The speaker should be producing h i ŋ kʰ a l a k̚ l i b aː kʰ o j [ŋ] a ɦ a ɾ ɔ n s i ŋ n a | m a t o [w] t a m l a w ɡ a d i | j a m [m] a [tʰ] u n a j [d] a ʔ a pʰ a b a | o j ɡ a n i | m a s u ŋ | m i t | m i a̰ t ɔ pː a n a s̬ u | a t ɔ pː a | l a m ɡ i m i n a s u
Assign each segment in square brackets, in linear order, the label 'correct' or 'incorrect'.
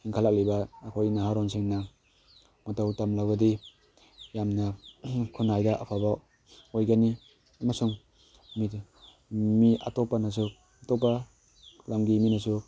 incorrect: n, correct, incorrect: n, incorrect: kʰ, correct

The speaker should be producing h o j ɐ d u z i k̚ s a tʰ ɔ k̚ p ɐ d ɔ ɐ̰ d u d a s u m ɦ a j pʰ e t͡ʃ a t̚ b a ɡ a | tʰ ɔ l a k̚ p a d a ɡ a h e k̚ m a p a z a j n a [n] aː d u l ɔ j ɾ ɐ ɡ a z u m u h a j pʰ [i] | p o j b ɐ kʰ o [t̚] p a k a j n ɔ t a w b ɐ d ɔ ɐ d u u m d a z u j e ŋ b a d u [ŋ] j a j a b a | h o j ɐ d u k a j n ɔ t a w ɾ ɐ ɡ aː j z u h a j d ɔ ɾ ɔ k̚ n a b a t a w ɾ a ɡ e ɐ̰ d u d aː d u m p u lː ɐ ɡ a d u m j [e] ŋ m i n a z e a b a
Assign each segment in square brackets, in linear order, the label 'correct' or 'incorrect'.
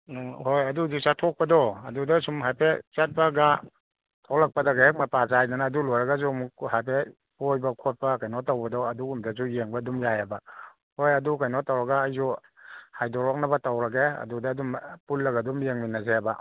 correct, incorrect: e, correct, incorrect: m, correct

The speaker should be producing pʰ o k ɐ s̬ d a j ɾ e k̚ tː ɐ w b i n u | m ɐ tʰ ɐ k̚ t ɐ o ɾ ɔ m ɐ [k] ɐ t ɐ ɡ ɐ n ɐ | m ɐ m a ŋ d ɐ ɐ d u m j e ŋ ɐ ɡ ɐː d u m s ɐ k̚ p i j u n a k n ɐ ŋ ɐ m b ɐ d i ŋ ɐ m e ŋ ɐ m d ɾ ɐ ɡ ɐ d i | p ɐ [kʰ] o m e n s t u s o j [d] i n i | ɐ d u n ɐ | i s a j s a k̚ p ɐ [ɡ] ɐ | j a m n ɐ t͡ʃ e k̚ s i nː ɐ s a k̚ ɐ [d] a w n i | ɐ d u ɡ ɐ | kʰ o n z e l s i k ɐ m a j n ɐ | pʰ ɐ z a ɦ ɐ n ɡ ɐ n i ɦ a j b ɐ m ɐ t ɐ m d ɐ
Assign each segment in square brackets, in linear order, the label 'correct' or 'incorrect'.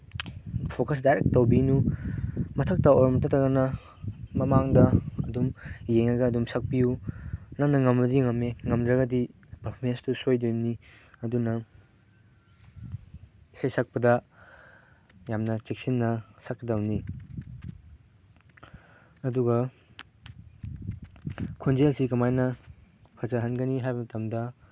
incorrect: t, incorrect: pʰ, correct, incorrect: d, correct

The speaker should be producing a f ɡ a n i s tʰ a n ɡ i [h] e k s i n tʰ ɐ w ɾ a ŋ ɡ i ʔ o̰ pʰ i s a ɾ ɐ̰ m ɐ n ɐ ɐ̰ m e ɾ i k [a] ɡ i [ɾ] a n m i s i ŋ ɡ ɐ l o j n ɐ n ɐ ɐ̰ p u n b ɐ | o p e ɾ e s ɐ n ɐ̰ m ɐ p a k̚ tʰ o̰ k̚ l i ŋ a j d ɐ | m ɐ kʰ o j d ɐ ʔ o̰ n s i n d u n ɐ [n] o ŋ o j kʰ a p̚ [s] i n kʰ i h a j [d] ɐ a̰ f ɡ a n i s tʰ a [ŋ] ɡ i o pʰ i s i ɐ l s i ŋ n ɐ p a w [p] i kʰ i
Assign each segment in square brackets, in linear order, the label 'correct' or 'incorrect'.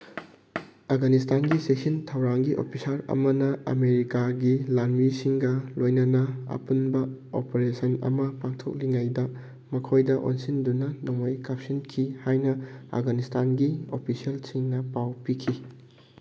incorrect: s, correct, incorrect: l, correct, correct, incorrect: n, incorrect: n, correct

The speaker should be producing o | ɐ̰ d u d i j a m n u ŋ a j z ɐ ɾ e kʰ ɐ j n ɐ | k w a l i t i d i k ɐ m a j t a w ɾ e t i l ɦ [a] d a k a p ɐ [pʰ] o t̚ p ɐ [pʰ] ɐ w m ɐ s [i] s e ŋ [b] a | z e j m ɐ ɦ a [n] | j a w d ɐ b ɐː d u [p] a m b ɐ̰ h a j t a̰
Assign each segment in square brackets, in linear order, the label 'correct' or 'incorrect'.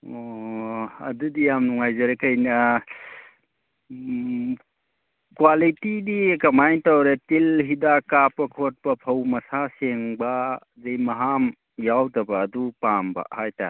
incorrect: i, incorrect: kʰ, correct, incorrect: a, correct, incorrect: m, correct

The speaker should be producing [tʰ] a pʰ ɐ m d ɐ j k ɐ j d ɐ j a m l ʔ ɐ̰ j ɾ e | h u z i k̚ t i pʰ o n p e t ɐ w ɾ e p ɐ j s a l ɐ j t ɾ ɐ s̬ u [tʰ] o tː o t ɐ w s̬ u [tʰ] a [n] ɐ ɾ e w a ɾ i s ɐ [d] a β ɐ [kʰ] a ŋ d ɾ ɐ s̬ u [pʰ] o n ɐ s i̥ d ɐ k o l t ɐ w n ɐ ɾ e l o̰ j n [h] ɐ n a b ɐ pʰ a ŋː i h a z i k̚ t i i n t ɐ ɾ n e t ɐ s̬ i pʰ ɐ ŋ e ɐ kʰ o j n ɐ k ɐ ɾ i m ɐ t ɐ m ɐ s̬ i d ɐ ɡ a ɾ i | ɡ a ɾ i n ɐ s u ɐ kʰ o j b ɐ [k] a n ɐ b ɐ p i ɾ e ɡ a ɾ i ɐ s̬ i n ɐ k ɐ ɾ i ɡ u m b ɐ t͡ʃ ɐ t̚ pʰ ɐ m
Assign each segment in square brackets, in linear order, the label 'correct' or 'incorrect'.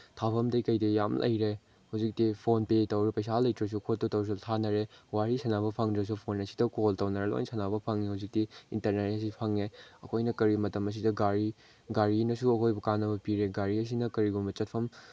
correct, incorrect: kʰ, correct, correct, incorrect: n, incorrect: pʰ, correct, incorrect: s, correct

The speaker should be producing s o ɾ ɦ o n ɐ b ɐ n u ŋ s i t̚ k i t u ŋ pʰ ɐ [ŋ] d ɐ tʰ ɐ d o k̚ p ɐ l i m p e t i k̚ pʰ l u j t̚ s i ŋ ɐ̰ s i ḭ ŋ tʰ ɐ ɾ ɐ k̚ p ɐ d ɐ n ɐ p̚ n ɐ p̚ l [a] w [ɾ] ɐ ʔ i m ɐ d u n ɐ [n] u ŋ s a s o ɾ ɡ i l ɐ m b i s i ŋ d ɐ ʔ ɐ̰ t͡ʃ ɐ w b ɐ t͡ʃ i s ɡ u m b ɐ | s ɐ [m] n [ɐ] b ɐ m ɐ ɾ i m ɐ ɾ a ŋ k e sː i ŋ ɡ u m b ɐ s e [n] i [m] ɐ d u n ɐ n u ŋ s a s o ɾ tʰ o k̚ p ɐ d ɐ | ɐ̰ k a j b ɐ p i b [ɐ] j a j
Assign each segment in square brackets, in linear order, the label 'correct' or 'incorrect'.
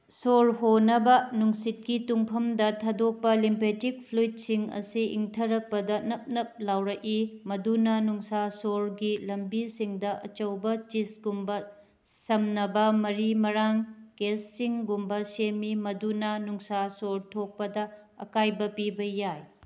incorrect: m, correct, correct, correct, correct, correct, incorrect: m, correct, correct

